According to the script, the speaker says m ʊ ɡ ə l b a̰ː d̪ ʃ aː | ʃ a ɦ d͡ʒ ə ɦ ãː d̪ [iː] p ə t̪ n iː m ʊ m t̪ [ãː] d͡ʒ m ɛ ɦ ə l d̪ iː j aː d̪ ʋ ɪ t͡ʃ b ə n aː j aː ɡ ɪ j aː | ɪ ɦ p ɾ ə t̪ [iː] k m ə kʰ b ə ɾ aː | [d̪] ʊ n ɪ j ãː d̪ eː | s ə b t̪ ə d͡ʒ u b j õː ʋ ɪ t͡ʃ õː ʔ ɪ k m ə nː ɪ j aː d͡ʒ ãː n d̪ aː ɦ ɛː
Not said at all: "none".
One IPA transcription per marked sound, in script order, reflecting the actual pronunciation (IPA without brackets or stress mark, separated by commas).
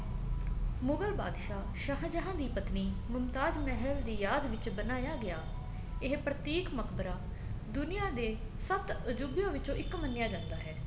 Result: iː, aː, iː, d̪